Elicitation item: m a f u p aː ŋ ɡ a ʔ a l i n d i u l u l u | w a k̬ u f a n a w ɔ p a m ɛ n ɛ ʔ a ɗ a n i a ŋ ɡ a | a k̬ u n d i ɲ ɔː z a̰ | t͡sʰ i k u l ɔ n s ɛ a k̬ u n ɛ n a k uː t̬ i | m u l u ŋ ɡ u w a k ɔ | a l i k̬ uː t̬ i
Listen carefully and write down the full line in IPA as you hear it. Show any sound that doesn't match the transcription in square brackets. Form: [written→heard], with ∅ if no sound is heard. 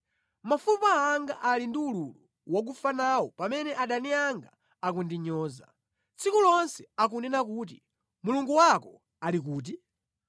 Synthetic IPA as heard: m a f u p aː ŋ ɡ a ʔ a l i n d i u l u l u | w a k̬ u f a n a w ɔ p a m ɛ n ɛ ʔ a ɗ a n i a ŋ ɡ a | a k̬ u n d i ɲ ɔː z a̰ | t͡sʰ i k u l ɔ n s ɛ a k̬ u n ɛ n a k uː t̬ i | m u l u ŋ ɡ u w a k ɔ | a l i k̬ uː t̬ i